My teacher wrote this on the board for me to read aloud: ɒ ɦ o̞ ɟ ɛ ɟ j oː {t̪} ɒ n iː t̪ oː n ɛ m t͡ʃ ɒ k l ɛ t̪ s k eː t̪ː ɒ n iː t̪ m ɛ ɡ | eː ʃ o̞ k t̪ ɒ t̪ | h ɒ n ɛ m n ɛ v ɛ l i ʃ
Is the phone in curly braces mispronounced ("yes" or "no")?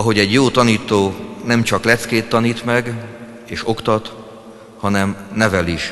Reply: no